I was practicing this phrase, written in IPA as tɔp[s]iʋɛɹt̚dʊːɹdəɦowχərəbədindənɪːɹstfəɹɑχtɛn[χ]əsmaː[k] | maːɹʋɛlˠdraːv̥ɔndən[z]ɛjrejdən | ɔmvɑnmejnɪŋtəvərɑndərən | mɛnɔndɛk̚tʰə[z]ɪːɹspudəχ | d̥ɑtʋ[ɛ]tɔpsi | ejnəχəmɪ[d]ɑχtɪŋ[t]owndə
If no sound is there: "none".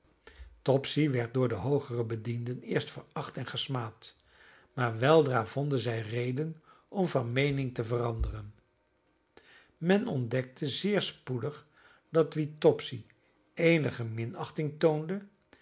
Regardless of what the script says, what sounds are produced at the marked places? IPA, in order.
s, χ, t, z, z, i, n, t

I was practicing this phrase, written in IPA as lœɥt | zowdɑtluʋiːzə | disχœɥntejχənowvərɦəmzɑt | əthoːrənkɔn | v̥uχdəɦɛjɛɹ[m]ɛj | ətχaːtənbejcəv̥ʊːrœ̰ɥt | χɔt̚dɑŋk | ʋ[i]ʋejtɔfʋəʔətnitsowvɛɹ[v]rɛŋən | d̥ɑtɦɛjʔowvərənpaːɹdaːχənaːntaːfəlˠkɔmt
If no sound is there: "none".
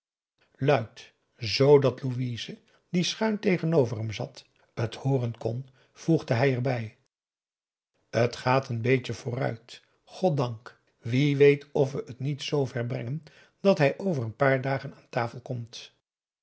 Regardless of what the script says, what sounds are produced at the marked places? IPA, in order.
b, i, b

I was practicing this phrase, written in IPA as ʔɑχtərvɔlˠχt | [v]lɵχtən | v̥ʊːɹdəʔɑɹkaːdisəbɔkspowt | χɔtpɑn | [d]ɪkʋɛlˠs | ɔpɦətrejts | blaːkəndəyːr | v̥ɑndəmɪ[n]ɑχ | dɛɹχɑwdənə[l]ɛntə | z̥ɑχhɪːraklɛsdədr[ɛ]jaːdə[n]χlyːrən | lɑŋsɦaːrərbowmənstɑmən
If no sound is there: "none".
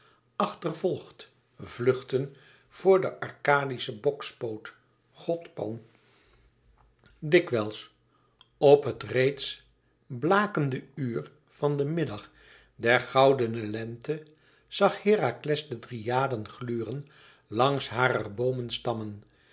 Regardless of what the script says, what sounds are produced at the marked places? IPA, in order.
v, d, d, l, i, n

